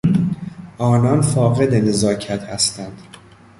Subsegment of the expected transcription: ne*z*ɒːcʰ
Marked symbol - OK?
yes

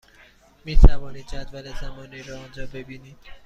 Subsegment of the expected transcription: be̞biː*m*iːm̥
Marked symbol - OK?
no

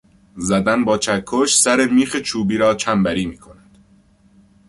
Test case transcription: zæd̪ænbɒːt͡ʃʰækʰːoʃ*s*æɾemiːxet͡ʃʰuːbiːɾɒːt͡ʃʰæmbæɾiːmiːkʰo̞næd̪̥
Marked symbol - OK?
yes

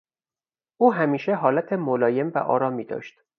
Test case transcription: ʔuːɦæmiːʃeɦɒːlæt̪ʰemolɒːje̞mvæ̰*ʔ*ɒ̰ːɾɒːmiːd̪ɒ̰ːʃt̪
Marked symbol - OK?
yes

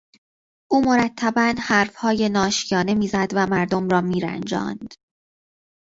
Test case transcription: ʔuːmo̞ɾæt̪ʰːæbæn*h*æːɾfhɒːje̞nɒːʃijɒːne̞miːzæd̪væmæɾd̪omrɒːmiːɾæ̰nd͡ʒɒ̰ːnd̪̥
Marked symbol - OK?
yes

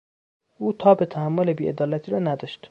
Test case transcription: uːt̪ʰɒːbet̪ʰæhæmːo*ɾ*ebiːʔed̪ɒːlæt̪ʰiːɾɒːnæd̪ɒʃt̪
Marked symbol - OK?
no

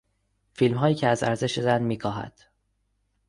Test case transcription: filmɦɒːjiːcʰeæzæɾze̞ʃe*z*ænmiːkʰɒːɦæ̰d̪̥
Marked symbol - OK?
yes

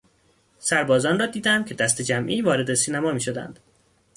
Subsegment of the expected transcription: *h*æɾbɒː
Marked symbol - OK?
no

